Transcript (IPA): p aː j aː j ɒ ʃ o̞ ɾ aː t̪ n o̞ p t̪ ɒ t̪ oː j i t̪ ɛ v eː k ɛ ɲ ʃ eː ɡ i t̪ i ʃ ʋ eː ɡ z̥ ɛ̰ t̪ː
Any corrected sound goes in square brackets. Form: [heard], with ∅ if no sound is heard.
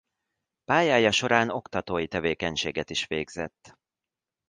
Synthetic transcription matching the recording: p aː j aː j ɒ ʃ o̞ ɾ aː [∅] n o̞ [k] t̪ ɒ t̪ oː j i t̪ ɛ v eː k ɛ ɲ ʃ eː ɡ [ɛ] t̪ i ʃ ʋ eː ɡ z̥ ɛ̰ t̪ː